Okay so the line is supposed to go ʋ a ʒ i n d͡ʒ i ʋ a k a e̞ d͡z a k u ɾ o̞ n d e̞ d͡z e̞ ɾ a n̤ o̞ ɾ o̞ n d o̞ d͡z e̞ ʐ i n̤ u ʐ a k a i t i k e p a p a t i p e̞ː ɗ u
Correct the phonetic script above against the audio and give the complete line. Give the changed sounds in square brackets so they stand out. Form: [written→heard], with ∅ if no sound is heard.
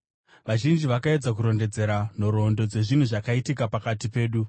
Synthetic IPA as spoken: ʋ a ʒ i n d͡ʒ i ʋ a k a e̞ d͡z a k u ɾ o̞ n d e̞ d͡z e̞ ɾ a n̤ o̞ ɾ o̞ n d o̞ d͡z e̞ ʐ i n̤ u ʐ a k a i t i k [e→a] p a [p→k] a t i p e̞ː ɗ u